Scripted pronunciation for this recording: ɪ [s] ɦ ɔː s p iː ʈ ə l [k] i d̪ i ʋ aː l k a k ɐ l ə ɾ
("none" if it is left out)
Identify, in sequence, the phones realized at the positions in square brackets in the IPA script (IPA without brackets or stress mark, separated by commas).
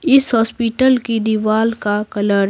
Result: s, k